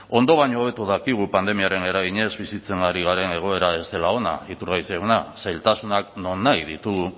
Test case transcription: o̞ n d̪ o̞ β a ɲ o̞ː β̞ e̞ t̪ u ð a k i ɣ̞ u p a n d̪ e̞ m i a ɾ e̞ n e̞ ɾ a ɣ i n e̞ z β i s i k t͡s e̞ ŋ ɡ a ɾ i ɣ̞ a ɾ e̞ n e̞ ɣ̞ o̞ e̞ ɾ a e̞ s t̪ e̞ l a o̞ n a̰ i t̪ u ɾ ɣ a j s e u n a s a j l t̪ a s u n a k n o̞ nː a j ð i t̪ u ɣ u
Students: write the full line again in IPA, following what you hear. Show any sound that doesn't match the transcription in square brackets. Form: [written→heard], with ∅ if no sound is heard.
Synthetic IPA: o̞ n d̪ o̞ β a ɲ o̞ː β̞ e̞ t̪ u ð a k i ɣ̞ u p a n d̪ e̞ m i a ɾ e̞ n e̞ ɾ a ɣ i [n→ɲ] e̞ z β i s i [k→∅] t͡s e̞ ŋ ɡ a ɾ i ɣ̞ a ɾ e̞ n e̞ ɣ̞ o̞ e̞ ɾ a e̞ s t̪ e̞ l a o̞ n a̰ i t̪ u ɾ ɣ a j s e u n a s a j l t̪ a s u n a k n o̞ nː a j ð i t̪ u ɣ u

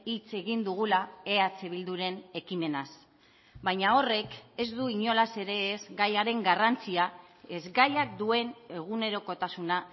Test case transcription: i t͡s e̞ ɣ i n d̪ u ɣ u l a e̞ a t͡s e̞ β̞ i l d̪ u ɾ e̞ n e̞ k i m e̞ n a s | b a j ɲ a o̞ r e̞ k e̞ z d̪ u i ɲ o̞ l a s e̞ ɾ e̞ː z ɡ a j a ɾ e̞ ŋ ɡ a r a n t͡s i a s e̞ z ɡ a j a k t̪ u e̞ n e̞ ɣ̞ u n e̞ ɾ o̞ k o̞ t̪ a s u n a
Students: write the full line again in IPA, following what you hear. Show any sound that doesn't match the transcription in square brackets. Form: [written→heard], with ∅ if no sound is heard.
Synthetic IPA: i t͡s e̞ ɣ i n d̪ u ɣ u l a e̞ a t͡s e̞ β̞ i l d̪ u ɾ e̞ n e̞ k i m e̞ n a s | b a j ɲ a o̞ r e̞ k e̞ z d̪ u i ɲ o̞ l a s e̞ ɾ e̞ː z ɡ a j a ɾ e̞ ŋ ɡ a r a n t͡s i a [s→∅] e̞ z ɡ a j a k [t̪→d̪] u e̞ n e̞ ɣ̞ u n e̞ ɾ o̞ k o̞ t̪ a s u n a

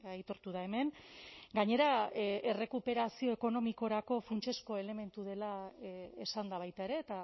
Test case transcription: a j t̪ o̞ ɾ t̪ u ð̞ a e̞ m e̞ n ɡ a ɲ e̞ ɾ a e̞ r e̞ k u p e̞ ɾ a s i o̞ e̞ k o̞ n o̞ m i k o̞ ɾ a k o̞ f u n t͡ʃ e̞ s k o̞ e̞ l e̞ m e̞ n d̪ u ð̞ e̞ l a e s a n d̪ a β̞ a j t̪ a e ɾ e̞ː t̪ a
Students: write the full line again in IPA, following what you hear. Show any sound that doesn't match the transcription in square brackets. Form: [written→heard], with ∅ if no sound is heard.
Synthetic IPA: a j t̪ o̞ ɾ t̪ u ð̞ a e̞ m e̞ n ɡ a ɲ e̞ ɾ a e̞ r e̞ k u p e̞ ɾ a s i o̞ e̞ k o̞ n o̞ m i k o̞ ɾ a k o̞ f u n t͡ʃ e̞ s k o̞ e̞ l e̞ m e̞ n [d̪→t̪] u ð̞ e̞ l a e s a n d̪ a β̞ a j t̪ a e ɾ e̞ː t̪ a

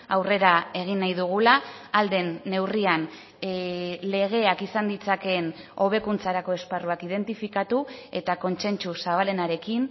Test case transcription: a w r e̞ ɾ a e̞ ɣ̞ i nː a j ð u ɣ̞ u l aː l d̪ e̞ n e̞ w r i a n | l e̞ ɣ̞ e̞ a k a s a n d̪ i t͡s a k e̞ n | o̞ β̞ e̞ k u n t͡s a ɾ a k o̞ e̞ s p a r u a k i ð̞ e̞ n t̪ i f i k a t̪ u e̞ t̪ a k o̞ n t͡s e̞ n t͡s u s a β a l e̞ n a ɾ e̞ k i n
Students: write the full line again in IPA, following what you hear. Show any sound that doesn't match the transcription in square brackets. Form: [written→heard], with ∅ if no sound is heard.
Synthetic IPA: a w r e̞ ɾ a e̞ ɣ̞ i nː a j ð u ɣ̞ u l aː l d̪ e̞ [n→nː] e̞ w r i a n | l e̞ ɣ̞ e̞ a k [a→i] s a n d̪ i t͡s a k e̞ n | o̞ β̞ e̞ k u n t͡s a ɾ a k o̞ e̞ s p a r u a k i ð̞ e̞ n t̪ i f i k a t̪ u e̞ t̪ a k o̞ n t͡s e̞ n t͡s u s a β a l e̞ n a ɾ e̞ k i n

